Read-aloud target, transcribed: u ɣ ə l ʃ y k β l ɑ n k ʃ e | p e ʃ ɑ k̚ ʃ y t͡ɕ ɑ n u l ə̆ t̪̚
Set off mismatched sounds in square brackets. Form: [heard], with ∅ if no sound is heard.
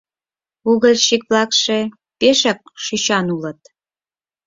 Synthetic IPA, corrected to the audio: u ɣ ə l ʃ [i] k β l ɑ [∅] k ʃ e | p e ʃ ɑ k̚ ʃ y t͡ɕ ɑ n u l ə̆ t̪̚